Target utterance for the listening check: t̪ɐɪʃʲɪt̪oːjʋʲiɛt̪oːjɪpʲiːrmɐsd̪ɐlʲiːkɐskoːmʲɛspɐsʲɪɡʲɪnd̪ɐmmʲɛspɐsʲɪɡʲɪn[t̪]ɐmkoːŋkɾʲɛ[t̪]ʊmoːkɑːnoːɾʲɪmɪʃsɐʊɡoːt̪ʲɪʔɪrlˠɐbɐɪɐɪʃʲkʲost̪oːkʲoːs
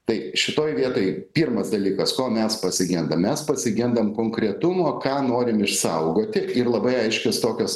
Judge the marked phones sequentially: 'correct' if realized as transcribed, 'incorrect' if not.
incorrect: d̪, correct

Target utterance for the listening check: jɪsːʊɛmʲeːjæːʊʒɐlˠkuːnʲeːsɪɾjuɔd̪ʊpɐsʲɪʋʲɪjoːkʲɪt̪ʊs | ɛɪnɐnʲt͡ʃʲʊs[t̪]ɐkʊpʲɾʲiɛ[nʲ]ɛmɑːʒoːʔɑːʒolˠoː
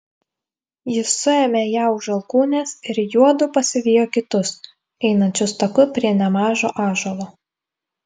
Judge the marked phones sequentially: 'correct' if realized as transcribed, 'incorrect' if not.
correct, correct

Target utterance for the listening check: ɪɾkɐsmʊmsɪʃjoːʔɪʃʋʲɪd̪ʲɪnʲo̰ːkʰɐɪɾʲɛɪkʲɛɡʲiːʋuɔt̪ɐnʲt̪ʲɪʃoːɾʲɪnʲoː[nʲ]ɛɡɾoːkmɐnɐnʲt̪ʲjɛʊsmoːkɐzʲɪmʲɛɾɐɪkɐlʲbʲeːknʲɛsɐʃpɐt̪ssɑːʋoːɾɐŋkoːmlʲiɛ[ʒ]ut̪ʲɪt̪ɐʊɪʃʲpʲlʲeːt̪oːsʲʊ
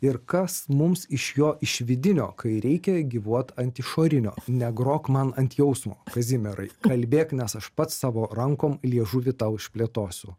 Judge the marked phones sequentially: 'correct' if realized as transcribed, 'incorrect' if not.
correct, correct

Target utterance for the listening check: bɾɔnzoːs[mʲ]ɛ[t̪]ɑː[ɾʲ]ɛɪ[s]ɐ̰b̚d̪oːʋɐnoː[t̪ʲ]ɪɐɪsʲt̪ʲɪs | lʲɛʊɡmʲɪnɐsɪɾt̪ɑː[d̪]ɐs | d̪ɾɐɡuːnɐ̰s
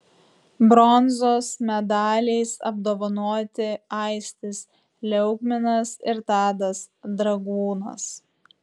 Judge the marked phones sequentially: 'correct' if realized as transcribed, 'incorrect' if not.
correct, incorrect: d̪, incorrect: lʲ, correct, correct, correct

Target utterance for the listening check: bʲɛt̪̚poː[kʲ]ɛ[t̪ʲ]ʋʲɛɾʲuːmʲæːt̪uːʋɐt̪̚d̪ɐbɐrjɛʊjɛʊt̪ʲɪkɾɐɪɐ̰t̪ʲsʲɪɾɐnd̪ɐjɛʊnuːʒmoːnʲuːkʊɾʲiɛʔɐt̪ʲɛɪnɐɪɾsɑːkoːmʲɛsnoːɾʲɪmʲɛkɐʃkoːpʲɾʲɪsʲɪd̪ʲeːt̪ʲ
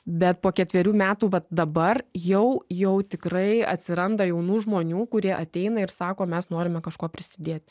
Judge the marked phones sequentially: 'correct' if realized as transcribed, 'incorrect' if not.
correct, correct

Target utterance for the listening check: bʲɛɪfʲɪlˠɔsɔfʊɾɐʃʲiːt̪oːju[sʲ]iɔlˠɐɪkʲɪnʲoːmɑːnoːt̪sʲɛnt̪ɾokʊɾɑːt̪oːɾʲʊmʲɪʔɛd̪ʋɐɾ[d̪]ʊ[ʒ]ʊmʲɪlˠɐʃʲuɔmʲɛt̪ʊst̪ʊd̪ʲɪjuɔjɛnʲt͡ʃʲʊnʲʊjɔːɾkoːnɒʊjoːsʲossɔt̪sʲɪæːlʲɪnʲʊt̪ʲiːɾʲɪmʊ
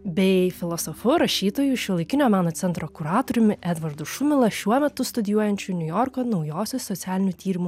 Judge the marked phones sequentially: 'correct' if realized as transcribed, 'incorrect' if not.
incorrect: ʃʲ, correct, incorrect: ʃ

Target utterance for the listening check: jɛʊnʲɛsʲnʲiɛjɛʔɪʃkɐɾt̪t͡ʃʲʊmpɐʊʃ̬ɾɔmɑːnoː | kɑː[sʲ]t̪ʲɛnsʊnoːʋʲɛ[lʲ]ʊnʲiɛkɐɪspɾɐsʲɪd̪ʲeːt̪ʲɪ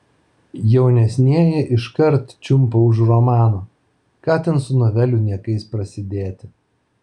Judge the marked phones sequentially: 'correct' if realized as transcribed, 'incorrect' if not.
incorrect: none, correct

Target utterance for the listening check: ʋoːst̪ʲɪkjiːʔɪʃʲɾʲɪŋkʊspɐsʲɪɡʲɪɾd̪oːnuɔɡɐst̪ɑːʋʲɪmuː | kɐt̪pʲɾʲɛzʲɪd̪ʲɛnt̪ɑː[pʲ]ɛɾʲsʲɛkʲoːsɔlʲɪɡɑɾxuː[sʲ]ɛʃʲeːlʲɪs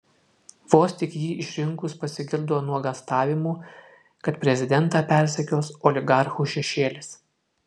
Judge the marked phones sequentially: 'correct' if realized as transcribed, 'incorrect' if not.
correct, incorrect: ʃʲ

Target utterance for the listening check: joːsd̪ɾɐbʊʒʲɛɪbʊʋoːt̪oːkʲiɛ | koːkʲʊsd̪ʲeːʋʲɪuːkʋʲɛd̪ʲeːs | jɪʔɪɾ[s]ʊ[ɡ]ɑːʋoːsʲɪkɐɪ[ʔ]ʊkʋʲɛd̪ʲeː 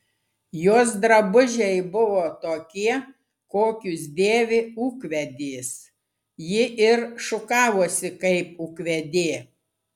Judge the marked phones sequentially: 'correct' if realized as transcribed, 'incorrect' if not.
incorrect: ʃ, incorrect: k, incorrect: p

